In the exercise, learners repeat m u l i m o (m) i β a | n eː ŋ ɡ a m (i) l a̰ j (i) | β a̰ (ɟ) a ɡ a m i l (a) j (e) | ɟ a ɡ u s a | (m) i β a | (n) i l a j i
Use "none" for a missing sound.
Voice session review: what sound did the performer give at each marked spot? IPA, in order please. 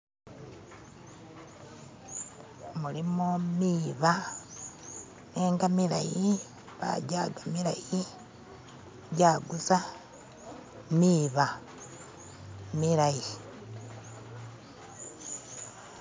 m, i, i, ɟ, a, i, m, m

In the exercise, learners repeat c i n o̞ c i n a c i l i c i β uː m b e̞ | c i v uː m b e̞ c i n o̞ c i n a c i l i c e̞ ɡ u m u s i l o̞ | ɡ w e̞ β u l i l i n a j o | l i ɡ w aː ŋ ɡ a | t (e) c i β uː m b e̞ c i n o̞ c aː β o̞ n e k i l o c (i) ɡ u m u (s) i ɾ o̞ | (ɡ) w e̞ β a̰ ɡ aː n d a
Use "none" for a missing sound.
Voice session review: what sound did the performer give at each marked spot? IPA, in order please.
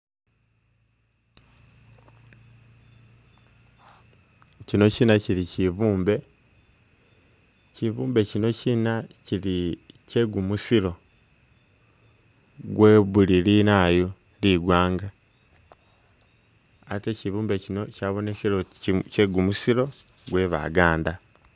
e, e, s, ɡ

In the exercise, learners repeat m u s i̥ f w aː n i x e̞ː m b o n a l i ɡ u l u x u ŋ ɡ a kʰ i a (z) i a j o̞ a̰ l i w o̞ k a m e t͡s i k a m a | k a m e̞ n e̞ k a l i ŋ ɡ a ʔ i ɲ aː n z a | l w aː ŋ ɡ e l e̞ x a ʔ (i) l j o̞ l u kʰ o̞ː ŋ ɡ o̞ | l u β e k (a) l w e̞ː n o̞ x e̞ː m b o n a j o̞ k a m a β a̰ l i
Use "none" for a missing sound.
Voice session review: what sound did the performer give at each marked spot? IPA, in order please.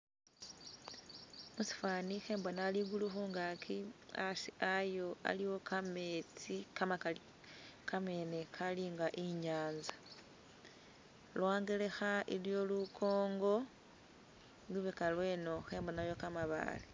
s, i, a

